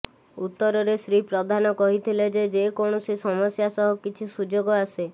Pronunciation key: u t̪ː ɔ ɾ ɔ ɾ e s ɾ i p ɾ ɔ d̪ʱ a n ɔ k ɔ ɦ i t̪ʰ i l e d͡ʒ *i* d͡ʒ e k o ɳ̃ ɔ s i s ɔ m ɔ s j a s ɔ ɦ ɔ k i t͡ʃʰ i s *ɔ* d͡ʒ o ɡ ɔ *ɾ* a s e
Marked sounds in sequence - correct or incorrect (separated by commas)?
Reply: incorrect, incorrect, incorrect